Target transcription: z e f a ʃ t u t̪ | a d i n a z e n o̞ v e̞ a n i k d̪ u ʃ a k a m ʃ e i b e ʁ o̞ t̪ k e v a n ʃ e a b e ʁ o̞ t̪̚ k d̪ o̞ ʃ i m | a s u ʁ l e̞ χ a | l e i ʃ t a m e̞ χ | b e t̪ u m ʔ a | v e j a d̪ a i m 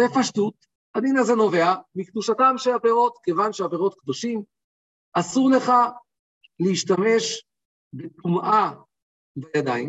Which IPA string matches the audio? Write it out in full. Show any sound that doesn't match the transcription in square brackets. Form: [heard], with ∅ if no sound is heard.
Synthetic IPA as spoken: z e f a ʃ t u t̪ | a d i n a z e n o̞ v e̞ a [m] i k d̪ u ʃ a [t] a m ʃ e [a] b e ʁ o̞ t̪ k e v a n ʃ e a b e ʁ o̞ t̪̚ k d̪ o̞ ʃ i m | a s u ʁ l e̞ χ a | l e i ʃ t a m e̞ [ʃ] | b e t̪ u m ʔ a | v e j a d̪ a i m